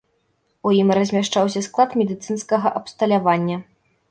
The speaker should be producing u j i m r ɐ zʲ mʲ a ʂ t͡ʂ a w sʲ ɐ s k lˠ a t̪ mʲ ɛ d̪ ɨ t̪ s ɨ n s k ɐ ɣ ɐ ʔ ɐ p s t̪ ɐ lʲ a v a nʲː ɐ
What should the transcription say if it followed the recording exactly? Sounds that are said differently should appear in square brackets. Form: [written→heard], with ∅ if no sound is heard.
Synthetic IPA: u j i m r ɐ zʲ mʲ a ʂ t͡ʂ a w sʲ ɐ s k lˠ a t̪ mʲ ɛ d̪ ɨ t̪ s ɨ n s k ɐ ɣ ɐ ʔ ɐ p s t̪ ɐ lʲ a v a nʲː ɐ